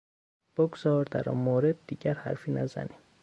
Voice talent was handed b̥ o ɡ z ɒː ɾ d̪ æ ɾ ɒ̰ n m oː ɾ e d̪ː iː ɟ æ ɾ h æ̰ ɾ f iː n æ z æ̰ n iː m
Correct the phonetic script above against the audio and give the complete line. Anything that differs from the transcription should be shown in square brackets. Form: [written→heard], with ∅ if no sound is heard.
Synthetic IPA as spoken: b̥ o ɡ z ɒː ɾ d̪ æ ɾ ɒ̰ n m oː ɾ e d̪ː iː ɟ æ ɾ h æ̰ ɾ f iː n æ z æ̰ n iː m